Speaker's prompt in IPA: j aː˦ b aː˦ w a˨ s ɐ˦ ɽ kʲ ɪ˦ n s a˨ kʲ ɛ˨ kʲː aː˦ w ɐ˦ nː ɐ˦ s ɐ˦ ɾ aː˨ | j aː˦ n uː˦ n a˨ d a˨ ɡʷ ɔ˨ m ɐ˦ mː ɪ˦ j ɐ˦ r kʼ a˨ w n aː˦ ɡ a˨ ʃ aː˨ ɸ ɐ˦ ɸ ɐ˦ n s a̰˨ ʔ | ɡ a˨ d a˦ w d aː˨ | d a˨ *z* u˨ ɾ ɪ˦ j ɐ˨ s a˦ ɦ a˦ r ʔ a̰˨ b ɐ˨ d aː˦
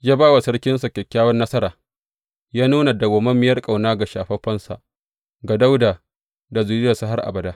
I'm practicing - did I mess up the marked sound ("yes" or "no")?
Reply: no